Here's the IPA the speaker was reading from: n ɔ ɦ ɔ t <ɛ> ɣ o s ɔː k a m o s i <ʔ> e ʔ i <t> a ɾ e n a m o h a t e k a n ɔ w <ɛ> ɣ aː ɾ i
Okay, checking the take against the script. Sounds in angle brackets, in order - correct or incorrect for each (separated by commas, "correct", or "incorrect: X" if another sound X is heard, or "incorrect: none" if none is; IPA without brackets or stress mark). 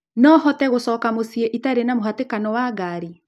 correct, incorrect: none, correct, incorrect: a